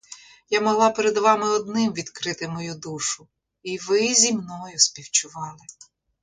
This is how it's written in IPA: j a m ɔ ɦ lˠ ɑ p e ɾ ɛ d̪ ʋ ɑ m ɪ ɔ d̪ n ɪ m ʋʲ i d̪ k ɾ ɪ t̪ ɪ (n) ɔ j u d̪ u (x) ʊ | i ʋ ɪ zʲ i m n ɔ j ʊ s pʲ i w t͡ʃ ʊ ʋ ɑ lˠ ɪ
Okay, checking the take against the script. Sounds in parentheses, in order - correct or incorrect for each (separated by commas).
incorrect, incorrect